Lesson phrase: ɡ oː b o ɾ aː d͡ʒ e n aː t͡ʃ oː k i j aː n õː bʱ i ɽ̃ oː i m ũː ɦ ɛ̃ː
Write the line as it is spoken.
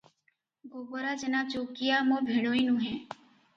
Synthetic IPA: ɡ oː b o ɾ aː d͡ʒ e n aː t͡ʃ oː k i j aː m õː bʱ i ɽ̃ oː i n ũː ɦ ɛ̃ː